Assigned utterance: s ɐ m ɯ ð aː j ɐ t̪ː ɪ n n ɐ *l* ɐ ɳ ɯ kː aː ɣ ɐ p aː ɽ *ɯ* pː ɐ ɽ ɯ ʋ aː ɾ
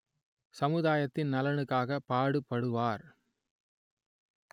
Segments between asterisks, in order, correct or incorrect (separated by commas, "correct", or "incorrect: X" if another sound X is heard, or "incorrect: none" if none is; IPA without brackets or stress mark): correct, correct